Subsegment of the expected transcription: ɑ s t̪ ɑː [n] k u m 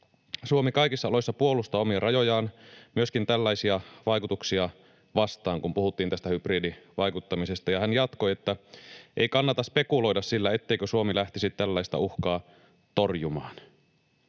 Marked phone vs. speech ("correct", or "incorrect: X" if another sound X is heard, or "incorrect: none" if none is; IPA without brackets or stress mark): incorrect: ŋ